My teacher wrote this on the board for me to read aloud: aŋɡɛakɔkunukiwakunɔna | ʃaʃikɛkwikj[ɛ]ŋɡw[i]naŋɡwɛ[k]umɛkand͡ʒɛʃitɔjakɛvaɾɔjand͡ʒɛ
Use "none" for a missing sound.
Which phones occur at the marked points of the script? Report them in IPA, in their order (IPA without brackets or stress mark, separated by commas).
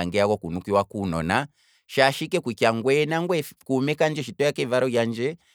a, ɛ, k